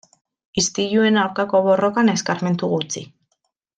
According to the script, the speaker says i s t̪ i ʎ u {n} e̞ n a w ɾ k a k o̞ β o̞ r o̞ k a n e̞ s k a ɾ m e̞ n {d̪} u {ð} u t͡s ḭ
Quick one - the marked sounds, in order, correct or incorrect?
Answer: incorrect, incorrect, incorrect

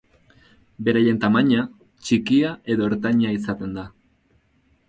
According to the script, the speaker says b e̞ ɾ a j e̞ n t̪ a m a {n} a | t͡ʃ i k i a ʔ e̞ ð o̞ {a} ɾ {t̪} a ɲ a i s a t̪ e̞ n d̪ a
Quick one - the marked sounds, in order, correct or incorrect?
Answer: incorrect, incorrect, correct

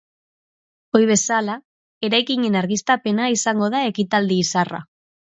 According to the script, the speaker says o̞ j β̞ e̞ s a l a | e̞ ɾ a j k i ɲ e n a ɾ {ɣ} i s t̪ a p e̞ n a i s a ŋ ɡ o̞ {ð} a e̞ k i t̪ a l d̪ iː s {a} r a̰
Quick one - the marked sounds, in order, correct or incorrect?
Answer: correct, correct, correct

